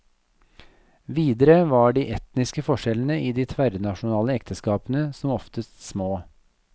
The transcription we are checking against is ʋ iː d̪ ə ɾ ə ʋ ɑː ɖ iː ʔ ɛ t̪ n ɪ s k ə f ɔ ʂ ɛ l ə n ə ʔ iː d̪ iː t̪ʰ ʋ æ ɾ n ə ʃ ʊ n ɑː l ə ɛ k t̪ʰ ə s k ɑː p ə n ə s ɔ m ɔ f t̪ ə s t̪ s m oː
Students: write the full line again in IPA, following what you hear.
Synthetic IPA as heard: ʋ iː d̪ ə ɾ ə ʋ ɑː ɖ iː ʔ ɛ t̪ n ɪ s k ə f ɔ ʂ ɛ l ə n ə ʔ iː d̪ iː t̪ʰ ʋ æ ɾ n ɑ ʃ ʊ n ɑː l ə ɛ k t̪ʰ ə s k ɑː p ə n ə s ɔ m ɔ f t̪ ə s t̪ s m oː